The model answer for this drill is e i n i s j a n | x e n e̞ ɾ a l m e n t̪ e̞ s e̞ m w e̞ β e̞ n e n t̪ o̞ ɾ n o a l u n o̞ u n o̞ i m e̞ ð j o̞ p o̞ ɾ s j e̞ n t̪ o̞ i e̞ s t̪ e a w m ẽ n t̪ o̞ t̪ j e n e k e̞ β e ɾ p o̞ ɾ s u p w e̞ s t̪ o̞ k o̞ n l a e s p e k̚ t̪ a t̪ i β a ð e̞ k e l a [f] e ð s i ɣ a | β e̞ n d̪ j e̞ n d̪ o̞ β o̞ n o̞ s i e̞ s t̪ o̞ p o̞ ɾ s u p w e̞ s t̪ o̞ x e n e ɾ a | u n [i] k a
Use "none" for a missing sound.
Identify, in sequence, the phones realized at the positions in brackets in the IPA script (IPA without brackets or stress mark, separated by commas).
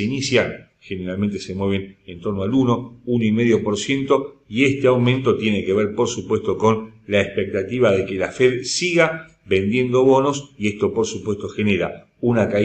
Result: f, a